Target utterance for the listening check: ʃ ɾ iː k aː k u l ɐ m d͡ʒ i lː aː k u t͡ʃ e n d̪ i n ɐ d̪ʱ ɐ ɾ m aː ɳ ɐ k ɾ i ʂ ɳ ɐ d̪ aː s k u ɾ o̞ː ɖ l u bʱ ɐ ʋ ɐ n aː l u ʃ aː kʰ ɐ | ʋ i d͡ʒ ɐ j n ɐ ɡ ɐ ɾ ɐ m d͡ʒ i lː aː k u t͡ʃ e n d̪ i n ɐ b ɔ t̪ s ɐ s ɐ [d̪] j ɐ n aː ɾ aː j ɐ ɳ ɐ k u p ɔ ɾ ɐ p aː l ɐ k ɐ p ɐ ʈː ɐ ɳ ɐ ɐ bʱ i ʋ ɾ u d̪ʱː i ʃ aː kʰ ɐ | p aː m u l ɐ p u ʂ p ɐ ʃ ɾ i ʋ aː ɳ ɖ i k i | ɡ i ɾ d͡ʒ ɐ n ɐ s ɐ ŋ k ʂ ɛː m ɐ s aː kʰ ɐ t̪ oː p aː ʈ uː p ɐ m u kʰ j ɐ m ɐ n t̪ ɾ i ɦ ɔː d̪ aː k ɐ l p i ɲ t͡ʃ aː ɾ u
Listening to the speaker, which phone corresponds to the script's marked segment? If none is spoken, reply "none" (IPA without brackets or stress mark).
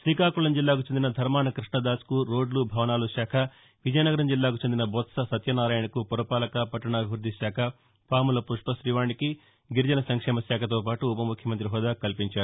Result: t̪